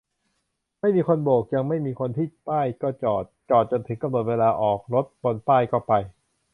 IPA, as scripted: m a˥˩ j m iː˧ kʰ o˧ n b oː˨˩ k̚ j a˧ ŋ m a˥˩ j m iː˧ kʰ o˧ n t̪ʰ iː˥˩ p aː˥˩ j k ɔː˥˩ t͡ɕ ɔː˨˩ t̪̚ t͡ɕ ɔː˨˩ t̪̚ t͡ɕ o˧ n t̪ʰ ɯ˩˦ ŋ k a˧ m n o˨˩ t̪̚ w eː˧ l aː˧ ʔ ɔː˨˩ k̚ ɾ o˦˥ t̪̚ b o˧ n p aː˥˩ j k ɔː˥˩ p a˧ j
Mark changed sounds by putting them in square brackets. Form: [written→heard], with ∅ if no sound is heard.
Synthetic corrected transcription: m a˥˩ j m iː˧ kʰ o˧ n b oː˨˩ k̚ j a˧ ŋ m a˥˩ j m iː˧ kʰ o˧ n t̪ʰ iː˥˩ p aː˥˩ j k ɔː˥˩ t͡ɕ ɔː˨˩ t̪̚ t͡ɕ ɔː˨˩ t̪̚ t͡ɕ o˧ n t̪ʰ ɯ˩˦ ŋ k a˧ m n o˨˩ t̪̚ w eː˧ l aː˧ ʔ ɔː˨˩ k̚ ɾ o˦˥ t̪̚ b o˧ n p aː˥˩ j k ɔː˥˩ p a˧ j